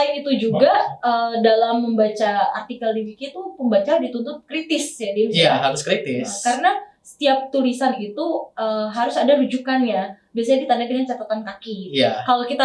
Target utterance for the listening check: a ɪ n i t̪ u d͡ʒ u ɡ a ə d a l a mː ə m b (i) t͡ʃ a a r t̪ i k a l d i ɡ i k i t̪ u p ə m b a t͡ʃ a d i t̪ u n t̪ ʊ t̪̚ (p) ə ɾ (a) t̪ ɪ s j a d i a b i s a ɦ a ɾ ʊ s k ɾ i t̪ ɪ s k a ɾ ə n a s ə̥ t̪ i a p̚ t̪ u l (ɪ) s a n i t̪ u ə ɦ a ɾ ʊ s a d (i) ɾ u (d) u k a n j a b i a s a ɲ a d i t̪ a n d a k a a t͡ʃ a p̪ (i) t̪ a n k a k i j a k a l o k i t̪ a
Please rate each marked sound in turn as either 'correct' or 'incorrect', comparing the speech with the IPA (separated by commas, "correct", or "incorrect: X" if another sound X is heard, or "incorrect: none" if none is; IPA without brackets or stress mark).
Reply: incorrect: a, incorrect: k, incorrect: i, incorrect: i, incorrect: a, incorrect: d͡ʒ, incorrect: a